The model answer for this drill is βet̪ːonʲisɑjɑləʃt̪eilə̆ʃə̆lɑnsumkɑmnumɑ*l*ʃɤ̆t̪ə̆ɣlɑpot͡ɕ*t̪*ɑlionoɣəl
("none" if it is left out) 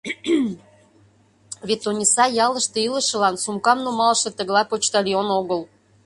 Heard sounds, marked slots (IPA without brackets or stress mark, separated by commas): l, t̪